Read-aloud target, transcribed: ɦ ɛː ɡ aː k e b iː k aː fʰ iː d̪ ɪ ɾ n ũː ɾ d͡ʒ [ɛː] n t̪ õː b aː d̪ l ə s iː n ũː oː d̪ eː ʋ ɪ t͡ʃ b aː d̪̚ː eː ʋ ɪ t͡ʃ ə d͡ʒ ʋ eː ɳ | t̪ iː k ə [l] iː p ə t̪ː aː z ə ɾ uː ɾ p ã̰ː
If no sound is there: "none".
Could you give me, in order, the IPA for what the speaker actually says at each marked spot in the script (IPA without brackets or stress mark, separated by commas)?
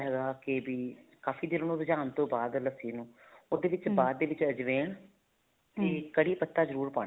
aː, ɽ